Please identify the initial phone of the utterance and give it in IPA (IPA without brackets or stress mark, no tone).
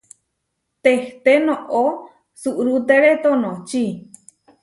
t̪